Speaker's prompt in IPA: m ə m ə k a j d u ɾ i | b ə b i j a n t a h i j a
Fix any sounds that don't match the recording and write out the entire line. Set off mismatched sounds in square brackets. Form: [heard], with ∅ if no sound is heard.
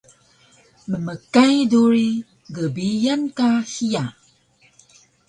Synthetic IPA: m ə m ə k a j d u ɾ i | [ɡ] ə b i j a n [k] a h i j a